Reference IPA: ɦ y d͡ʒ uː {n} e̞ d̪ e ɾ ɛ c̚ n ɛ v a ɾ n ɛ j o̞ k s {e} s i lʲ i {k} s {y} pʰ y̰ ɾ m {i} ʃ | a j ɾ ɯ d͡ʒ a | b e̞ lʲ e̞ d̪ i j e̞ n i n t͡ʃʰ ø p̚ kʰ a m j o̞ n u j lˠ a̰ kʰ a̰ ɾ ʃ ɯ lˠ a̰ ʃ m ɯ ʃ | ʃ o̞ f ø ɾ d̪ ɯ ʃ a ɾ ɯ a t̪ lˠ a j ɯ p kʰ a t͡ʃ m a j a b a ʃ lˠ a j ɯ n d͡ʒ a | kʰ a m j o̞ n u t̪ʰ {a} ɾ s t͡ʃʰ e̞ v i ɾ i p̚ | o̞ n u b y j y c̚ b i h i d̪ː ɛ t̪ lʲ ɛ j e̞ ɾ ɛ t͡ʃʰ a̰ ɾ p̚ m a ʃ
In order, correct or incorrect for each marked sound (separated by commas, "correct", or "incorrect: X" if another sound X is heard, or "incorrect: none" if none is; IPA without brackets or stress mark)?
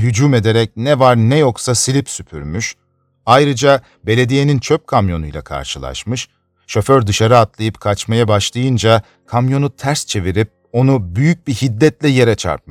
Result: incorrect: m, incorrect: a, incorrect: p, correct, incorrect: y, incorrect: æ